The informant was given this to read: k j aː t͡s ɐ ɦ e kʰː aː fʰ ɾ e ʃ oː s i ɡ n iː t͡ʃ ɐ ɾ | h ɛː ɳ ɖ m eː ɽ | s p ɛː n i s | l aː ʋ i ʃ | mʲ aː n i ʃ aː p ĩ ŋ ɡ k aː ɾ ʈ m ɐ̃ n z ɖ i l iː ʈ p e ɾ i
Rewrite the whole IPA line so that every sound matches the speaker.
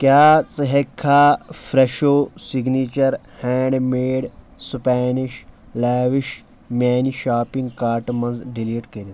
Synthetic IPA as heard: k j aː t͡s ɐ ɦ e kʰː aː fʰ ɾ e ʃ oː s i ɡ n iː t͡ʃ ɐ ɾ | h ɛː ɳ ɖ m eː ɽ | s p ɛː n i ʃ | l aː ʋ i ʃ | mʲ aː n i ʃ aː p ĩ ŋ ɡ k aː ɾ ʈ m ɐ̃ n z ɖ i l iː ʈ k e ɾ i